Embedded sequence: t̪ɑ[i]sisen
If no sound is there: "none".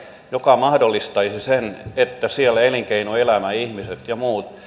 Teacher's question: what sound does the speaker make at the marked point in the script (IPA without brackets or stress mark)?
i